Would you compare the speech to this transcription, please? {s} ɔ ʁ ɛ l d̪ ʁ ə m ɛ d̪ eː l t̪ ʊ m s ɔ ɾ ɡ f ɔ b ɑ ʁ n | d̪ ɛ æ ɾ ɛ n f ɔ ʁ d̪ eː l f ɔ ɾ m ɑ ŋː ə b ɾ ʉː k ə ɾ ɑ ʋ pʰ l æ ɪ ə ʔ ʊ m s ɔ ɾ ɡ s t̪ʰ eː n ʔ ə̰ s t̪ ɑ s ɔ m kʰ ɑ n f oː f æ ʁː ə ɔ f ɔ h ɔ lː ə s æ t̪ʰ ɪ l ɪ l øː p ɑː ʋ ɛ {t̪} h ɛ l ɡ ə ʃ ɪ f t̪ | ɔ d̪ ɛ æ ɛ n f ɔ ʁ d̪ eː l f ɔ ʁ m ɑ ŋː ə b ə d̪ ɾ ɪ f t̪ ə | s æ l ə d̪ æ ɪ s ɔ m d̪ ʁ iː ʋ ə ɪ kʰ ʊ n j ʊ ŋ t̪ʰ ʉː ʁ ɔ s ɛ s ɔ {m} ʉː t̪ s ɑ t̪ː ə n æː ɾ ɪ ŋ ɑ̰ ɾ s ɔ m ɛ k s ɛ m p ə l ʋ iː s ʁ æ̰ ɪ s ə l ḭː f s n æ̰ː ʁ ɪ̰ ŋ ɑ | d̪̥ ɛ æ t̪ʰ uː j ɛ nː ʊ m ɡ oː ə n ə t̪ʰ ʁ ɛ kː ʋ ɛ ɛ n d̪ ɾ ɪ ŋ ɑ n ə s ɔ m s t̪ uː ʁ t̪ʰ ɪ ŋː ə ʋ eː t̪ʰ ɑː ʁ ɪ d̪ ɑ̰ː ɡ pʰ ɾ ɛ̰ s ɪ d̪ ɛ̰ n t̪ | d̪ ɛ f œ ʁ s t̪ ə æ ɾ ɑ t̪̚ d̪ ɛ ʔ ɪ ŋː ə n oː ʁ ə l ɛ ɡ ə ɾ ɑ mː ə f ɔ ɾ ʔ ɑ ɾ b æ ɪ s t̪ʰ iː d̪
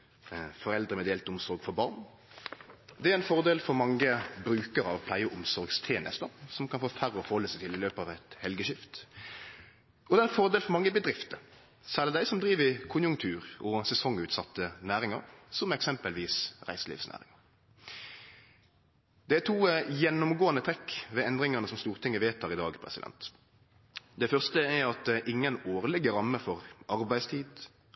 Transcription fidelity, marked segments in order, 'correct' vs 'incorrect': incorrect: f, correct, incorrect: ŋ

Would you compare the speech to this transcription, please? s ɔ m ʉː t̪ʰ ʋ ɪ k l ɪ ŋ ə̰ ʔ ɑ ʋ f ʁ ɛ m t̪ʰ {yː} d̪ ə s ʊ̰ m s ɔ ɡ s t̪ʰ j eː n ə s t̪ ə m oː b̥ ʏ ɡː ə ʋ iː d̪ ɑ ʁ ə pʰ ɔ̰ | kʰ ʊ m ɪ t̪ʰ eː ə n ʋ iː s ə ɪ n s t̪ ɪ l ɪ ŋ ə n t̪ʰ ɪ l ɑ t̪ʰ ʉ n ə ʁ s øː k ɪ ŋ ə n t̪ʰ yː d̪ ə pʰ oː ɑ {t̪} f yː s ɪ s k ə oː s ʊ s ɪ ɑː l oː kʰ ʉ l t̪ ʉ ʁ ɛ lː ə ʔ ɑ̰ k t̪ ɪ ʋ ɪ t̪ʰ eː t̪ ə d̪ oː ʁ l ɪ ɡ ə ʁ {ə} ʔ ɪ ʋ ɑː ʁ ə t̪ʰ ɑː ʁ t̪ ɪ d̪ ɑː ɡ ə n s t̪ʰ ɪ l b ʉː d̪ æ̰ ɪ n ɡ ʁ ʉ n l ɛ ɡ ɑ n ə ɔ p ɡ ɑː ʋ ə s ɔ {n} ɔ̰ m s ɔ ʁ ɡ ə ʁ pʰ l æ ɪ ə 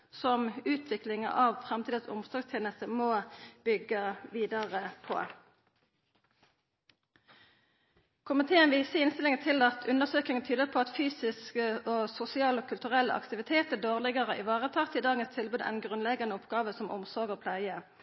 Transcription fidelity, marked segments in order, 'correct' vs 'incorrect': incorrect: iː, correct, correct, incorrect: m

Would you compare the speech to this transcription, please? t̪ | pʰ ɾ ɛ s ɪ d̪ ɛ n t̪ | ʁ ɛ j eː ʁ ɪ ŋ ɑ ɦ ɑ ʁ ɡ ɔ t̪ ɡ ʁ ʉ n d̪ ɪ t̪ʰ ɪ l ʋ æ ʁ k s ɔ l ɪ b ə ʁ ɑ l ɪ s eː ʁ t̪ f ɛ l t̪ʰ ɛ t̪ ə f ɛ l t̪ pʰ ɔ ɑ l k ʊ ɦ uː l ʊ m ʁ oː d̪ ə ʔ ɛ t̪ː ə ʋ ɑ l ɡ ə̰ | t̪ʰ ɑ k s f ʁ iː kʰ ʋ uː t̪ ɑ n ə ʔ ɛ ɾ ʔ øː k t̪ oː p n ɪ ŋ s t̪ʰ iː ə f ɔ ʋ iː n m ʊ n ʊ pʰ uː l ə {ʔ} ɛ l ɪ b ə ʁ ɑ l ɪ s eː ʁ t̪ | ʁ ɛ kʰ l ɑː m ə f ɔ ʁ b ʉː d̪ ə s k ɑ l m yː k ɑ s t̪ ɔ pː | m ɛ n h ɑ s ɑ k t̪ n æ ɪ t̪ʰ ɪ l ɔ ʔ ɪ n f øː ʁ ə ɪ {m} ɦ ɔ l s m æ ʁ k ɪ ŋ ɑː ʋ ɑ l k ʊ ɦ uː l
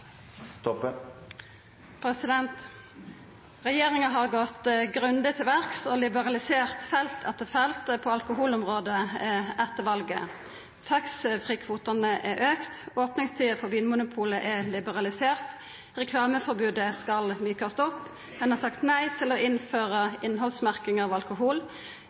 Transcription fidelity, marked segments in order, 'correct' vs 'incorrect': correct, incorrect: n

